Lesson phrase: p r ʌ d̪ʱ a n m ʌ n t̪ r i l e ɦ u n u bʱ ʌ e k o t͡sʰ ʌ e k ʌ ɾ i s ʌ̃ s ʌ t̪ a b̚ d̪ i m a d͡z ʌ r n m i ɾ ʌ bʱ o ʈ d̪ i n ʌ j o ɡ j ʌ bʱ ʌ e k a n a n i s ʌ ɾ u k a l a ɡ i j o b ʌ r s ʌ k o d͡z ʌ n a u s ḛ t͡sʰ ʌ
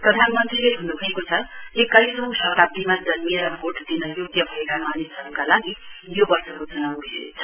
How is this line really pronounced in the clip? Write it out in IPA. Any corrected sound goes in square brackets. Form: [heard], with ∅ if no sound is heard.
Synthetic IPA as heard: p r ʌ d̪ʱ a n m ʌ n t̪ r i l e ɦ u n u bʱ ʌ e k o t͡sʰ ʌ e k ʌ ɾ i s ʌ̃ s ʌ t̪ a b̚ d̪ i m a d͡z ʌ [∅] n m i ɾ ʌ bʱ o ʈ d̪ i n ʌ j o ɡ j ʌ bʱ ʌ e k a [m] a n i s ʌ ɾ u k a l a ɡ i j o b ʌ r s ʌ k o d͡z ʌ n a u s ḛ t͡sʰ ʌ